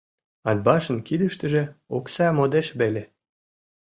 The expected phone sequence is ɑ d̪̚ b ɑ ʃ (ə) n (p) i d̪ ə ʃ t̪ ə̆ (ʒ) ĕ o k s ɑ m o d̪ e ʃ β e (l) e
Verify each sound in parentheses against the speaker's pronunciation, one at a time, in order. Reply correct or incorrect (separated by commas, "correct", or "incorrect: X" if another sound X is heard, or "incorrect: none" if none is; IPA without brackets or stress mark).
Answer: correct, incorrect: k, correct, correct